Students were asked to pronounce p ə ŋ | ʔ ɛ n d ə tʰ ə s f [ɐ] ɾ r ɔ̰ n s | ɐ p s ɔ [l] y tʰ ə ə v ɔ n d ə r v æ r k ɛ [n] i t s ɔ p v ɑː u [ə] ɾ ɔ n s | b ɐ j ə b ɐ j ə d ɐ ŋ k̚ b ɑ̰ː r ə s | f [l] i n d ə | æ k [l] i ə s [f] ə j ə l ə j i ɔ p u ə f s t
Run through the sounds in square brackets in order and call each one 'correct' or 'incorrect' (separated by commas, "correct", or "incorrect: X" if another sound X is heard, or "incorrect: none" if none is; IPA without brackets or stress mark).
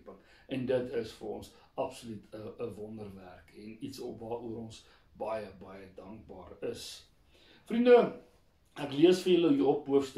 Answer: incorrect: ə, correct, correct, correct, incorrect: r, correct, correct